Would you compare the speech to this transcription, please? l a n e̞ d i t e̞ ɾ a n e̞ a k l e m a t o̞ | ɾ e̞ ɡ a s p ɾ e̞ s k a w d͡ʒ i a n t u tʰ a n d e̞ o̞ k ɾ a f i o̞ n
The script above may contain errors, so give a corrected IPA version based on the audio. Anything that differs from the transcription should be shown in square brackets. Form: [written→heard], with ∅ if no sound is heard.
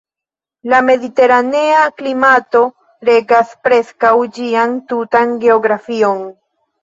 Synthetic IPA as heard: l a [n→m] e̞ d i t e̞ ɾ a n e̞ a k l [e→i] m a t o̞ | ɾ e̞ ɡ a s p ɾ e̞ s k a w d͡ʒ i a n t u [tʰ→t] a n [d→ɡ] e̞ o̞ [k→ɡ] ɾ a f i o̞ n